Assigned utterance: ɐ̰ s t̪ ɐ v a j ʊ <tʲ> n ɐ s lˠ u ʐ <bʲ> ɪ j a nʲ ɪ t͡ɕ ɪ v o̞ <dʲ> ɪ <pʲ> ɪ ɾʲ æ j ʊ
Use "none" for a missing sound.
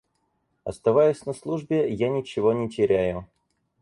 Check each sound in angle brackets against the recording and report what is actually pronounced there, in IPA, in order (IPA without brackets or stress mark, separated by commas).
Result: sʲ, bʲ, nʲ, tʲ